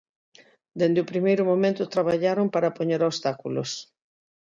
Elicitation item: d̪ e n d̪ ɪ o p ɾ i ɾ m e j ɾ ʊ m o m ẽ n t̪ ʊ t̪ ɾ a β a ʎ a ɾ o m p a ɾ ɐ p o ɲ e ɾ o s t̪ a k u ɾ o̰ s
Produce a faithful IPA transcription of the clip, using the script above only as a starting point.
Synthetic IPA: d̪ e n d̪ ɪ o p ɾ i m e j ɾ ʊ m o m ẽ n t̪ ʊ t̪ ɾ a β a ʎ a ɾ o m p a ɾ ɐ p o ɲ e ɾ o s t̪ a k u l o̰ s